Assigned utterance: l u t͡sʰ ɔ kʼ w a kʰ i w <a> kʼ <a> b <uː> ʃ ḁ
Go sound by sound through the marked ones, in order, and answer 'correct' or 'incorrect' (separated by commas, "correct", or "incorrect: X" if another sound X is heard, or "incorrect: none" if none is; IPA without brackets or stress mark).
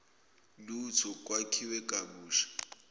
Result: incorrect: ɛ, correct, correct